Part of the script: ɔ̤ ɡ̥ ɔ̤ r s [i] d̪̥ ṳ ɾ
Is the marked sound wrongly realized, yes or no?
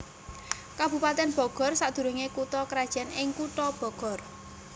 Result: yes